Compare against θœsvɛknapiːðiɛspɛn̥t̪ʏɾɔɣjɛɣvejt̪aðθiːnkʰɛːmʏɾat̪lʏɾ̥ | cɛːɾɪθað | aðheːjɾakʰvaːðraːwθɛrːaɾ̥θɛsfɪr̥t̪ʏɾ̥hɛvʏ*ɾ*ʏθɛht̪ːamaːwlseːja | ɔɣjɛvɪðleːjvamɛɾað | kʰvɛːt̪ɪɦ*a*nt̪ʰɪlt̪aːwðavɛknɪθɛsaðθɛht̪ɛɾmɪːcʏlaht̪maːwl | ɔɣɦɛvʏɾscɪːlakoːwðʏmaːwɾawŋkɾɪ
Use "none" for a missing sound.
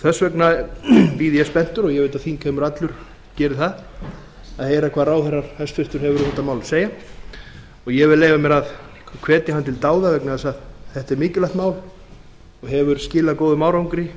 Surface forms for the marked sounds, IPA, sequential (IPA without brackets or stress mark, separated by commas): ɾ, a